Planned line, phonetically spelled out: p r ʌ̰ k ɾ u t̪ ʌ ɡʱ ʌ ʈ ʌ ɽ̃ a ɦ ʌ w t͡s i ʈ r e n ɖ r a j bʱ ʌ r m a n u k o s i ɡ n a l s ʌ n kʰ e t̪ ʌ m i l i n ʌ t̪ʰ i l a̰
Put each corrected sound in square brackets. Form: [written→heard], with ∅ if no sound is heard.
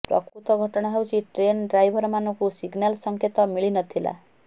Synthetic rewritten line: p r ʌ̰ k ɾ u t̪ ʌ ɡʱ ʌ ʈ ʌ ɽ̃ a ɦ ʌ w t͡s i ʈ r e n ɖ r a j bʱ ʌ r m a n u k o s i ɡ n a l s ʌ [n→ŋ] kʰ e t̪ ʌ m i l i n ʌ t̪ʰ i l a̰